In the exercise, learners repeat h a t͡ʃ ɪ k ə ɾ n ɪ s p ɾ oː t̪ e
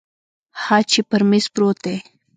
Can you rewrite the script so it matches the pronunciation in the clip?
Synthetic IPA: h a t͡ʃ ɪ p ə ɾ m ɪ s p ɾ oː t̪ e